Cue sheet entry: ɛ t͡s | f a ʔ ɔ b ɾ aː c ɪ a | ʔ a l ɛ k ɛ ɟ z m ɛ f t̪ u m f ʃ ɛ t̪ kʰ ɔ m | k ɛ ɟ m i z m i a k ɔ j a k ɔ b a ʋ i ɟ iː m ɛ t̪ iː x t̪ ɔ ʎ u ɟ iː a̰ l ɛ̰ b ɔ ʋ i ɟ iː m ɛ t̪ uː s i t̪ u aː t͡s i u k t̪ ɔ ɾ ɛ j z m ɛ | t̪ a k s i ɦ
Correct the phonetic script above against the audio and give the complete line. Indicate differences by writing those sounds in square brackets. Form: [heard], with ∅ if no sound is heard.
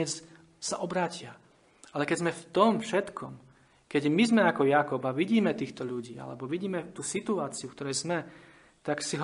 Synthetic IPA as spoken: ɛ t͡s | [s] a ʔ ɔ b ɾ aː c ɪ a | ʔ a l ɛ k ɛ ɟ z m ɛ f t̪ [ɔ] m f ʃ ɛ t̪ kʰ ɔ m | k ɛ ɟ m i z m [ɛ] a k ɔ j a k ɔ b a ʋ i ɟ iː m ɛ t̪ iː x t̪ ɔ ʎ u ɟ iː a̰ l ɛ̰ b ɔ ʋ i ɟ iː m ɛ t̪ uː s i t̪ u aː t͡s i u k t̪ ɔ ɾ ɛ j z m ɛ | t̪ a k s i ɦ